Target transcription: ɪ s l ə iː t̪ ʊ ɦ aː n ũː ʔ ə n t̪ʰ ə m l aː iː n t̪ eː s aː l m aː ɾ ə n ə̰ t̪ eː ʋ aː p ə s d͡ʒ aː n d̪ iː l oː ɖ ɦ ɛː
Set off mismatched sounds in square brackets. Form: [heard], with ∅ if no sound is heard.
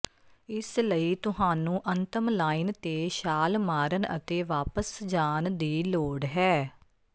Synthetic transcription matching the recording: ɪ s l ə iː t̪ ʊ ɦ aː n ũː ʔ ə n [t̪] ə m l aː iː n t̪ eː [ʃ] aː l m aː ɾ ə n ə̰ t̪ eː ʋ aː p ə s d͡ʒ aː n d̪ iː l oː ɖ ɦ ɛː